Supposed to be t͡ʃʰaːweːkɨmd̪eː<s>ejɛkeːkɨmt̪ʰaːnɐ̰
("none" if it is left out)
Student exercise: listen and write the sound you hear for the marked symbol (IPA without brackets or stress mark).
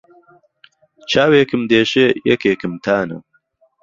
ʃ